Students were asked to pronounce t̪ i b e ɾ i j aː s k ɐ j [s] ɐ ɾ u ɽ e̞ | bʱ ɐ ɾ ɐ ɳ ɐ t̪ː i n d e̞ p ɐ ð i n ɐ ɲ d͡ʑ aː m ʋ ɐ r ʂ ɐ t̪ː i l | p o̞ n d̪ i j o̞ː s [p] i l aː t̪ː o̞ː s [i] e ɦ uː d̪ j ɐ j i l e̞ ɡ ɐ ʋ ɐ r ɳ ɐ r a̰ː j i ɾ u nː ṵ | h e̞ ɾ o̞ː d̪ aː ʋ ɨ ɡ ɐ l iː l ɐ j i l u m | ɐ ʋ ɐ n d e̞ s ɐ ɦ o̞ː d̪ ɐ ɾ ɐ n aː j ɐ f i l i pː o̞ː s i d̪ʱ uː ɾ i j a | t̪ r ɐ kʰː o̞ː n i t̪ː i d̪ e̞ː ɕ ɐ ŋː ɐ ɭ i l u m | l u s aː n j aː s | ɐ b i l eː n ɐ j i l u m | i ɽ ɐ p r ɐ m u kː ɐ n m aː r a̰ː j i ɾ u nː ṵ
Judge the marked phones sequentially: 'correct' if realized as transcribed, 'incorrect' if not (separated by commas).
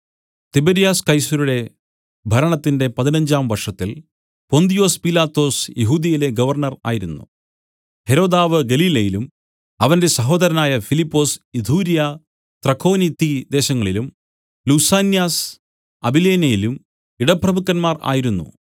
correct, correct, incorrect